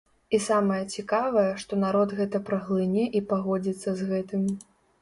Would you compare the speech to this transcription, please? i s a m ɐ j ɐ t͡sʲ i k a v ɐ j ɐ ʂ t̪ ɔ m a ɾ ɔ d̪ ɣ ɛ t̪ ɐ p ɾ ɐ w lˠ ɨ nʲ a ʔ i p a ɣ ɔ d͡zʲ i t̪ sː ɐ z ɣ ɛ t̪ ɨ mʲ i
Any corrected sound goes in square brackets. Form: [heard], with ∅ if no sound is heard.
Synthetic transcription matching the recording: i s a m ɐ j ɐ t͡sʲ i k a v ɐ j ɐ ʂ t̪ ɔ [n] a ɾ ɔ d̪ ɣ ɛ t̪ ɐ p ɾ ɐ [ɣ] lˠ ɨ nʲ [ɛ] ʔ i p a ɣ ɔ d͡zʲ i t̪ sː ɐ z ɣ ɛ t̪ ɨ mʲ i